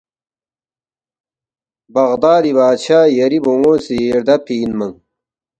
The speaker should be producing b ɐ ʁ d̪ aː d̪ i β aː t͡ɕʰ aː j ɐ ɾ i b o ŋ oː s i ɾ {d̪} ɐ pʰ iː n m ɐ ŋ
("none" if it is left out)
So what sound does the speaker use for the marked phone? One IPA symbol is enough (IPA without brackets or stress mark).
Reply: d̪